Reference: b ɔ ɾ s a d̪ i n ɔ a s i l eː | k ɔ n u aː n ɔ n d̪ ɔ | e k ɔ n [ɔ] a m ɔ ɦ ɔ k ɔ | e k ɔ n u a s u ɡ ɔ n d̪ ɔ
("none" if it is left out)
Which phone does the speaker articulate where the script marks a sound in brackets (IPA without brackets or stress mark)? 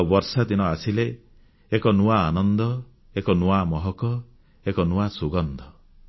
u